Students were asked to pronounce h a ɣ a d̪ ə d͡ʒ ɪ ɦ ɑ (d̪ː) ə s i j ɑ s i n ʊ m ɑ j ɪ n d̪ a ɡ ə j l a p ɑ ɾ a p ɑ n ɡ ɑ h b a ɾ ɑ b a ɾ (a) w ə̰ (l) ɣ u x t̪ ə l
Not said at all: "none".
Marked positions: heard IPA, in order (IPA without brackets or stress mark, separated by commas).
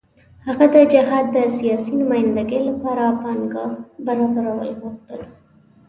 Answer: d̪ː, a, l